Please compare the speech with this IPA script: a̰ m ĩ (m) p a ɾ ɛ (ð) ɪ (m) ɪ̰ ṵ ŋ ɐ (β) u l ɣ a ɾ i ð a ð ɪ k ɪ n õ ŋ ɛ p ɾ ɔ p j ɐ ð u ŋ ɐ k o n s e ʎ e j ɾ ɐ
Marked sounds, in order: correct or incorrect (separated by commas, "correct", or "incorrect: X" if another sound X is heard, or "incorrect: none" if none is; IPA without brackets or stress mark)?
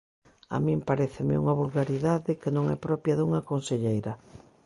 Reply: correct, incorrect: θ, correct, correct